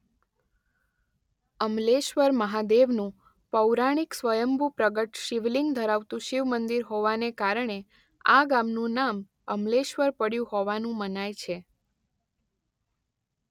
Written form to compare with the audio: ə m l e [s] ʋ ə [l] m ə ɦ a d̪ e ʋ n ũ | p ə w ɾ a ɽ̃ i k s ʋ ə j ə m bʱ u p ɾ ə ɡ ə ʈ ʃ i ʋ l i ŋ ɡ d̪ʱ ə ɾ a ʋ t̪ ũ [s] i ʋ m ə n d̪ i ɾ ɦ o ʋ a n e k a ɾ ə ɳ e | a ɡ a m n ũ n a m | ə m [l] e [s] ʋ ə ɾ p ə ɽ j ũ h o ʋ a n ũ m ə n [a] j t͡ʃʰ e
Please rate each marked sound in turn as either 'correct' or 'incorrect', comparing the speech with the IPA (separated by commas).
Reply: incorrect, incorrect, incorrect, correct, incorrect, correct